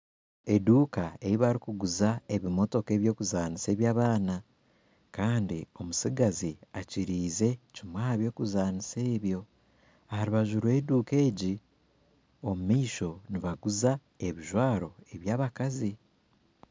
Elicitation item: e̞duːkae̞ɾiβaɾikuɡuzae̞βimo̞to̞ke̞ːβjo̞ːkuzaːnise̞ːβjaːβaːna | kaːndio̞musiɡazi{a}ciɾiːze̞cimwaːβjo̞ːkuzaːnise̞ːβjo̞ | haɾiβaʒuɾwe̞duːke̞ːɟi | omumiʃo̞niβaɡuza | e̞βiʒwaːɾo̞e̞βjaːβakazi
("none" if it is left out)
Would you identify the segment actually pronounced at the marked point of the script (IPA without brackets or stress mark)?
a